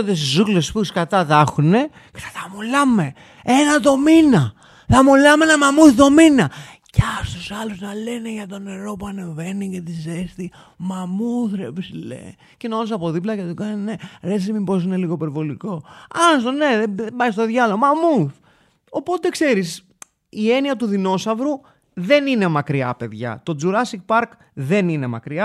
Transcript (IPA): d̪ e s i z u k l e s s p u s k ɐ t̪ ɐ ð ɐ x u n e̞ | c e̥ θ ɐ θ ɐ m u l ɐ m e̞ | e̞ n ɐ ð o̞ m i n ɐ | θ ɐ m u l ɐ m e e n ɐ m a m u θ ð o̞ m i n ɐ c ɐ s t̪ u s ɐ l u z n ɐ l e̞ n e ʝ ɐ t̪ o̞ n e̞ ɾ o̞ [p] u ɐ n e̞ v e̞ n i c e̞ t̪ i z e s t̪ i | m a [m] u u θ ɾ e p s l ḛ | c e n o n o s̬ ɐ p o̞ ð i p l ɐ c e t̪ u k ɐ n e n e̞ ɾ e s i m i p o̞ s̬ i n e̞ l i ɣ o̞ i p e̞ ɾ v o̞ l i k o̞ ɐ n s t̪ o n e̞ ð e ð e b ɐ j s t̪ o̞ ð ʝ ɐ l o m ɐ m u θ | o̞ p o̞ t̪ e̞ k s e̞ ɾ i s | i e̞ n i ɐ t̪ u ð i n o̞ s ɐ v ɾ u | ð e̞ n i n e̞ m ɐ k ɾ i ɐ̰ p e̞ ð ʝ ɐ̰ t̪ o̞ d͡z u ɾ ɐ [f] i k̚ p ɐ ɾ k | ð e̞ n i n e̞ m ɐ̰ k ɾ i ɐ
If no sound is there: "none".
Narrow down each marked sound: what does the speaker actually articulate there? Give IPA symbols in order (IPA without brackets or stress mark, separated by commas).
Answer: p, m, s